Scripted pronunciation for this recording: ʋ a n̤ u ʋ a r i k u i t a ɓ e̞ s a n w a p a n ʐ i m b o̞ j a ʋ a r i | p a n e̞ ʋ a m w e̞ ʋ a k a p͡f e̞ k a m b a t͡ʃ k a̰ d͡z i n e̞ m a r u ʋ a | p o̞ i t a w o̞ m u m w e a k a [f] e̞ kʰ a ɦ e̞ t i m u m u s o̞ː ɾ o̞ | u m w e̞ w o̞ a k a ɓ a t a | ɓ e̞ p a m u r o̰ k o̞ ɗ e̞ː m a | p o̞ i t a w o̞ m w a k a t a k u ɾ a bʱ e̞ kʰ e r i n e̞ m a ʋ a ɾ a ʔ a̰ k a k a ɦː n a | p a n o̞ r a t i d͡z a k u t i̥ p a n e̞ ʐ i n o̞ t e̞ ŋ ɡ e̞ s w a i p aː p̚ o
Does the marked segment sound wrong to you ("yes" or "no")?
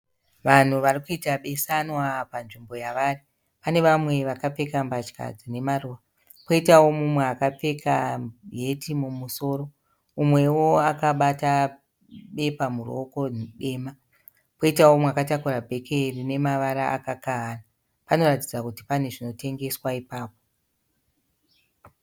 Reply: yes